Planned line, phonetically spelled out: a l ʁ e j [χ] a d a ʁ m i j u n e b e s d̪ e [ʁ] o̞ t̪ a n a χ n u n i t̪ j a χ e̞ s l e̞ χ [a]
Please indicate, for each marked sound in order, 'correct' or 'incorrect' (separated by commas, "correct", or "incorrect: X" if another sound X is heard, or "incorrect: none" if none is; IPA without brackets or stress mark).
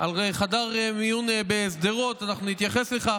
correct, correct, correct